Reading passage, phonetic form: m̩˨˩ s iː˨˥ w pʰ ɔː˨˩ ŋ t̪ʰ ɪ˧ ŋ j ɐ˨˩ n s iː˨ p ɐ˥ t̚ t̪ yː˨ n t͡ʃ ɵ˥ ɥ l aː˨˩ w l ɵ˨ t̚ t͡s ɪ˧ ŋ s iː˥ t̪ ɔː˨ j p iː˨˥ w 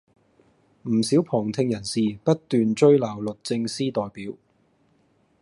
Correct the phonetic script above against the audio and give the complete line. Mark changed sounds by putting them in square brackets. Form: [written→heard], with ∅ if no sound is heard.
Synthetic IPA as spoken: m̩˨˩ s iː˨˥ w pʰ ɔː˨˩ ŋ t̪ʰ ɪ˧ ŋ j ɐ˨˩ n s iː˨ p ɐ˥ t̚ t̪ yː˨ n t͡ʃ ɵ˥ ɥ l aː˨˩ w l ɵ˨ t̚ t͡s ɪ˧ ŋ s iː˥ t̪ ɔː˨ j p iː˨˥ w